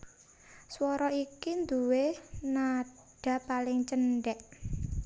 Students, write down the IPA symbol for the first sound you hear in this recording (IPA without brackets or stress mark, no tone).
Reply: s